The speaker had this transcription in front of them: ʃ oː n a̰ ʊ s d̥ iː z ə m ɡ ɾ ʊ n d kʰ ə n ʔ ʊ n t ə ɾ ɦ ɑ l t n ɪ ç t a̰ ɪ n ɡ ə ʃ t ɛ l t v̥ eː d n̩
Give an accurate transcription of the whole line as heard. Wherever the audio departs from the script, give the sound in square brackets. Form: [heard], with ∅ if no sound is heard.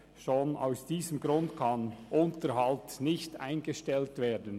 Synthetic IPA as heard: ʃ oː n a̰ ʊ s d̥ iː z ə m ɡ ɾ ʊ n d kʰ [ɑ] n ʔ ʊ n t ə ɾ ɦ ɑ l t n ɪ ç t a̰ ɪ n ɡ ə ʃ t ɛ l t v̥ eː d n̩